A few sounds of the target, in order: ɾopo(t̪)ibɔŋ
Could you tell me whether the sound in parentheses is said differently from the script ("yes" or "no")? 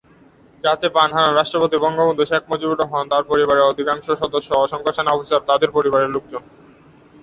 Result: no